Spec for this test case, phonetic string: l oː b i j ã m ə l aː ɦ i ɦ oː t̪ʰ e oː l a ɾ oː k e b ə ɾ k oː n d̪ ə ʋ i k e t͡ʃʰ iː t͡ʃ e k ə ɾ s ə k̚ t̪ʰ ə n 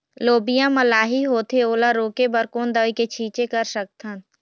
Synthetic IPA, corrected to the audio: l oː b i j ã m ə l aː ɦ i ɦ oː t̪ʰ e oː l a ɾ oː k e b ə ɾ k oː n d̪ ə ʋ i k e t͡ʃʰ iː t͡ʃ e k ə ɾ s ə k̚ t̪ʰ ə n